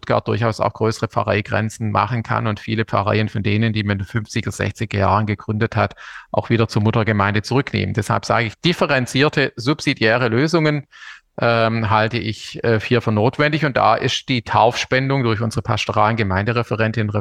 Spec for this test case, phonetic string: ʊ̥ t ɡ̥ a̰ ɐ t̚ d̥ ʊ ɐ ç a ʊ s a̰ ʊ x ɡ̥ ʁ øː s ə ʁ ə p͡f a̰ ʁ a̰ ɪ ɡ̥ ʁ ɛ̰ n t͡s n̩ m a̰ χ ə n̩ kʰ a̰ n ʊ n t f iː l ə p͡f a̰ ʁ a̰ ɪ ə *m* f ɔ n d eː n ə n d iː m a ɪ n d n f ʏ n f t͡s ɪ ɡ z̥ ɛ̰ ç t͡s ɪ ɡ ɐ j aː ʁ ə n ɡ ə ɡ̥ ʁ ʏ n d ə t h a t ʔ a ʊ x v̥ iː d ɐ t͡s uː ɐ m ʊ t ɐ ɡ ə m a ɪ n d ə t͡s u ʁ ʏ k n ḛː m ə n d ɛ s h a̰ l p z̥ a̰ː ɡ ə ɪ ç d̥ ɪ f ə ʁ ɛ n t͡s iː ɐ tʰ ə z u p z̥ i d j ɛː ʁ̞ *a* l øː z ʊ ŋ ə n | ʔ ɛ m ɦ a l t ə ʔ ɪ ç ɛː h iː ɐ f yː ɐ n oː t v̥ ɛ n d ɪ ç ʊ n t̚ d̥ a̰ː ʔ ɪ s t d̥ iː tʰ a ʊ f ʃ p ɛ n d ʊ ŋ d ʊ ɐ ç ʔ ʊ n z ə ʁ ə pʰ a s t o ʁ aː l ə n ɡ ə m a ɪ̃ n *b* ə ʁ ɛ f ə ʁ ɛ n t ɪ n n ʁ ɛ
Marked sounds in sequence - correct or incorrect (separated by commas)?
incorrect, incorrect, incorrect